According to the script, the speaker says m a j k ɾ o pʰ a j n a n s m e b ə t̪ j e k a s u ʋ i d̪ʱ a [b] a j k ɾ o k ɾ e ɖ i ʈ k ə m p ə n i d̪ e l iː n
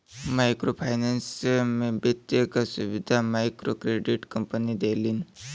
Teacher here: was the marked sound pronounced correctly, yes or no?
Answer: no